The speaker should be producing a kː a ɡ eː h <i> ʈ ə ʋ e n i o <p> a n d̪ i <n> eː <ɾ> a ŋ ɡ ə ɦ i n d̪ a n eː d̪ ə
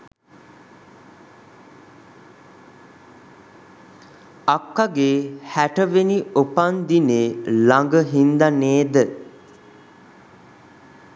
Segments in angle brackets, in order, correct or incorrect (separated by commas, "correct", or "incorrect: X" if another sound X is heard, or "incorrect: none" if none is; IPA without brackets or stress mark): incorrect: æ, correct, correct, incorrect: l